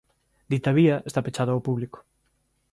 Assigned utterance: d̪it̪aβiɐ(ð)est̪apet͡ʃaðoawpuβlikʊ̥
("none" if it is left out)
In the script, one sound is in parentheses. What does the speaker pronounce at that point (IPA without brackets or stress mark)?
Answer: none